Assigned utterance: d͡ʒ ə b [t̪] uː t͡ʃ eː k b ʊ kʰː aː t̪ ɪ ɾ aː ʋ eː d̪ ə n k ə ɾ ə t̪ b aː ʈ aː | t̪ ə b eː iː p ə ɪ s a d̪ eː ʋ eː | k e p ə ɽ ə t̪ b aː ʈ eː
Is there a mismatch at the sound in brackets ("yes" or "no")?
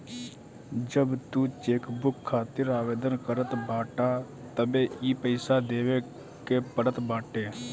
no